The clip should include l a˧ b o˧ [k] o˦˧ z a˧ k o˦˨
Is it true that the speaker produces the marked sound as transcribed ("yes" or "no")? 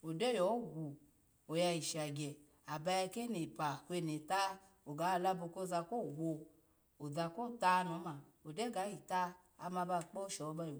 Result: yes